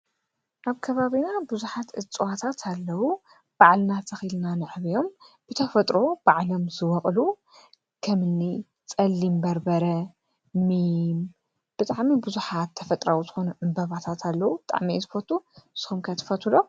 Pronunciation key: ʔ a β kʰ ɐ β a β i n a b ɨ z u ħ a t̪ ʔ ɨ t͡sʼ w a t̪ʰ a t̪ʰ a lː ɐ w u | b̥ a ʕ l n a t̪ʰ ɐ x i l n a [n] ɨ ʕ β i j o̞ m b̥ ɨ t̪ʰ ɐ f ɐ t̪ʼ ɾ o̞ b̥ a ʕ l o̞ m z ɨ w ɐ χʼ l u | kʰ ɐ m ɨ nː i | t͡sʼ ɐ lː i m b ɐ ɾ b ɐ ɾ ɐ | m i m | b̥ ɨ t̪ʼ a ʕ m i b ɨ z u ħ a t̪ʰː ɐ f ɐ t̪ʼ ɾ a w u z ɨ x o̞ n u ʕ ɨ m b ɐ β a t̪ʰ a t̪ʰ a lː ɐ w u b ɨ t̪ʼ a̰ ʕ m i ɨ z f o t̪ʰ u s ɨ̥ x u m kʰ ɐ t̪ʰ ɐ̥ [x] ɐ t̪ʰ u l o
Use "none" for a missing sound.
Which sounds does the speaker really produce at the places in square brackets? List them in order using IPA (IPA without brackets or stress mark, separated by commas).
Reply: n, f